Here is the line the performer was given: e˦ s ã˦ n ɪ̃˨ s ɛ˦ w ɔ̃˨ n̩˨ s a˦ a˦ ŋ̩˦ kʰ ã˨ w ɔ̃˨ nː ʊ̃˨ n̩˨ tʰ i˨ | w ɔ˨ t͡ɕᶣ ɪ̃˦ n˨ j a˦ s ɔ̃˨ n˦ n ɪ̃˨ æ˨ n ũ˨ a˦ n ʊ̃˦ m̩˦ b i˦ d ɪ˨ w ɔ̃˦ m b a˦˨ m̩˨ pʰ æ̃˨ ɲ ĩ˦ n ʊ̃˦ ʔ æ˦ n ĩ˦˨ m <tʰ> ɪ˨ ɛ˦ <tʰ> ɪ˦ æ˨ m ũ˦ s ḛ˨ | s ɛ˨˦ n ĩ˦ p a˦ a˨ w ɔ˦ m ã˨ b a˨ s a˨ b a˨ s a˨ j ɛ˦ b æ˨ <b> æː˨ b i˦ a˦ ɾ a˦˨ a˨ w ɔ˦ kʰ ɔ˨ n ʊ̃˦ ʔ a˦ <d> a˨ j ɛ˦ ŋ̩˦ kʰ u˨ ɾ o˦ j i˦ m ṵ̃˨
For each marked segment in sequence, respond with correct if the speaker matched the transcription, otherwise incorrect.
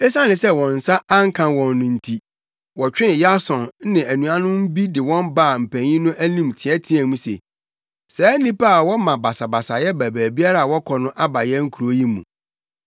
correct, correct, correct, incorrect: b

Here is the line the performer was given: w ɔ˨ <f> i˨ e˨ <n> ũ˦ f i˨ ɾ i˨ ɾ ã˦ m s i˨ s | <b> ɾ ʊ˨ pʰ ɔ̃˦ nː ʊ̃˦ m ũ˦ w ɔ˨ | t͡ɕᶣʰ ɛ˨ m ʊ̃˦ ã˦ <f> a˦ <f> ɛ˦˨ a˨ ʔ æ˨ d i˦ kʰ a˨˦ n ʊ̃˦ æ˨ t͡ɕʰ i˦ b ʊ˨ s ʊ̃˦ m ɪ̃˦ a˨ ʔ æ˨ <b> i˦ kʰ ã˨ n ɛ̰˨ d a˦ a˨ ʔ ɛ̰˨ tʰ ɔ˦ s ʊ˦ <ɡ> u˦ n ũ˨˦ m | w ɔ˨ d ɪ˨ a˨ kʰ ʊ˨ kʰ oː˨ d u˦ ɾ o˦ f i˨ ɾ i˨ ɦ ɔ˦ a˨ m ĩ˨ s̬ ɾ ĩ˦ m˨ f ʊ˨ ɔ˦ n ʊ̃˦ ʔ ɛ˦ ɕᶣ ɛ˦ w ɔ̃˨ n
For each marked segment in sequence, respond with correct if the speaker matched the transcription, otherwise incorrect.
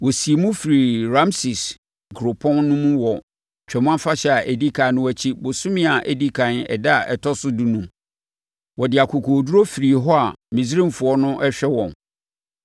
incorrect: s, incorrect: m, incorrect: ɡ, correct, incorrect: ɕ, incorrect: d, incorrect: d

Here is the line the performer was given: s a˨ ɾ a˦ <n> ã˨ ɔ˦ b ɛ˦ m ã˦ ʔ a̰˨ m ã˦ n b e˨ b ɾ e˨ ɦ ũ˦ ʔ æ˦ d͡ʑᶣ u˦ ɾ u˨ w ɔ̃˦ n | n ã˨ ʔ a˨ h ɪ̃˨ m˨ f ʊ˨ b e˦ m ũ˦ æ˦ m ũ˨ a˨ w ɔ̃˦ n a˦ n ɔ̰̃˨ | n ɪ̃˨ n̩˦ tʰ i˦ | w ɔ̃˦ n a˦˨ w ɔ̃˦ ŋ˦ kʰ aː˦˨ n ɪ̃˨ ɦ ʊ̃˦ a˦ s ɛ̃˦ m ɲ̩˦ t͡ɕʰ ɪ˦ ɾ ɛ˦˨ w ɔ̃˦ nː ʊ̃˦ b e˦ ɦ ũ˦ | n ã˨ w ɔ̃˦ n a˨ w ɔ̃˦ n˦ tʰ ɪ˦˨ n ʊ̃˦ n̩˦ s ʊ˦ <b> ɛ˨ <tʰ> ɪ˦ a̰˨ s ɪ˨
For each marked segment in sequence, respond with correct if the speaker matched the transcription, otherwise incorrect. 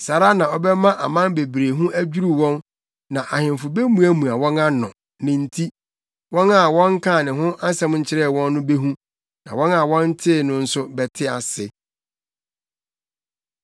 correct, correct, correct

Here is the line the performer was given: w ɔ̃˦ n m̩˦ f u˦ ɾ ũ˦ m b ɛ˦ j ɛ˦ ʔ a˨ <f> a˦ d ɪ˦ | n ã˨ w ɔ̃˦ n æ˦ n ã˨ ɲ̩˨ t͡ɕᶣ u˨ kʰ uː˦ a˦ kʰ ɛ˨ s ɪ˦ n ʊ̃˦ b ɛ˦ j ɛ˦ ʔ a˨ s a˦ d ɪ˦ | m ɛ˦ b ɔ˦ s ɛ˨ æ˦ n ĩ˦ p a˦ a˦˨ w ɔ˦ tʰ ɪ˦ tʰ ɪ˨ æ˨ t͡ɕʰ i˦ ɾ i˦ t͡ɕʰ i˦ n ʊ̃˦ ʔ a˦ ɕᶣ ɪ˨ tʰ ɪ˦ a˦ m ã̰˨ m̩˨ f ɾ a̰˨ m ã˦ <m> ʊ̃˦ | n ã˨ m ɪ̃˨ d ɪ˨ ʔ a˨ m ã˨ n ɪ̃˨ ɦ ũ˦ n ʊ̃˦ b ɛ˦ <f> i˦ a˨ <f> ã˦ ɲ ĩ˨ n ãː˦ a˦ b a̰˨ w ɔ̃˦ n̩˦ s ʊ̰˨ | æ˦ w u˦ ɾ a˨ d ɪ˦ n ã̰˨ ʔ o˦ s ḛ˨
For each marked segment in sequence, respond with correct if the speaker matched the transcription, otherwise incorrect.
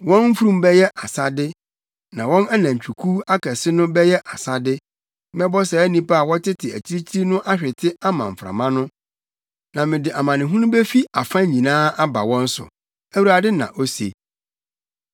incorrect: s, incorrect: n, correct, correct

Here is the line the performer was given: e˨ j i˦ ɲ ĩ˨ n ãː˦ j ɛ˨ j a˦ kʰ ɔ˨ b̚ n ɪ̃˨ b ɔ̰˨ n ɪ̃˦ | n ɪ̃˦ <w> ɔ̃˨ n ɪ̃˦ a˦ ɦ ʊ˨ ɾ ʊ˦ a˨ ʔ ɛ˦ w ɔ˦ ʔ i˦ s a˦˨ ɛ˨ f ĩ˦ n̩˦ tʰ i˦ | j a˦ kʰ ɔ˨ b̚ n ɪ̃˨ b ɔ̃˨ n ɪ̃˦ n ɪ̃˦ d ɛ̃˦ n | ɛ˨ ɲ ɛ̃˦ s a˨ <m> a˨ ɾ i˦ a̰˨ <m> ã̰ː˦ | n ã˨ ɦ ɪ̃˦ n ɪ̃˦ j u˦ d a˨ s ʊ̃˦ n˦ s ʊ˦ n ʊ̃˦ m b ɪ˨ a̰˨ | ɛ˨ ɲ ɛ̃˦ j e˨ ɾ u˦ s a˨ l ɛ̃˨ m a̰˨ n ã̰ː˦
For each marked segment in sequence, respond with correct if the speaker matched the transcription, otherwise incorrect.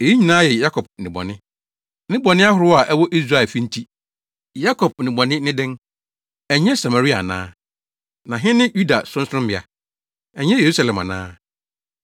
incorrect: b, correct, incorrect: n

